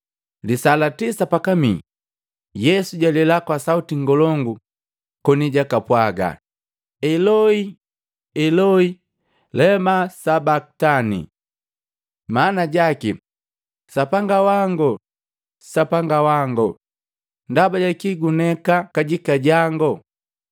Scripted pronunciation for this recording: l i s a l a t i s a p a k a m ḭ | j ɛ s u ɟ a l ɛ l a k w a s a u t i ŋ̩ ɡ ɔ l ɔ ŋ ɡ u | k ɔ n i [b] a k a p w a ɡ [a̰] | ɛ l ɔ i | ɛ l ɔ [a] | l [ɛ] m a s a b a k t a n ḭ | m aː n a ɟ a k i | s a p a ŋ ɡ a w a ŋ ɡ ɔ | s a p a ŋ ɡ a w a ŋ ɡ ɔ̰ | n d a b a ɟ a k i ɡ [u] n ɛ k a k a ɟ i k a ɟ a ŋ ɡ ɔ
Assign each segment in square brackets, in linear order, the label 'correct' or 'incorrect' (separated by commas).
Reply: incorrect, correct, incorrect, correct, correct